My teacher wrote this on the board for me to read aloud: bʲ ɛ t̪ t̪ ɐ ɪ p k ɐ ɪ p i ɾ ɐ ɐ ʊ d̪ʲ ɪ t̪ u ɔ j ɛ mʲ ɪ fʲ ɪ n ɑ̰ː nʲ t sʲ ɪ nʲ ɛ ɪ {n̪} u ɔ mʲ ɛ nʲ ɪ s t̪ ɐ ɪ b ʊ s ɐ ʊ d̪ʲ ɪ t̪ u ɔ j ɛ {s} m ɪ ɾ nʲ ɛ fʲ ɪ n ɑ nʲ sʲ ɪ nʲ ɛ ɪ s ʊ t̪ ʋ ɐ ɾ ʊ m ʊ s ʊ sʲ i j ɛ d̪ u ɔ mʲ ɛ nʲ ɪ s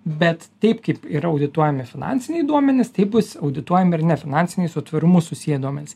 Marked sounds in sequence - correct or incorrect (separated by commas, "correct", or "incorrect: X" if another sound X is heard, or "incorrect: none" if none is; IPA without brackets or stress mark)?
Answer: incorrect: d̪, incorrect: none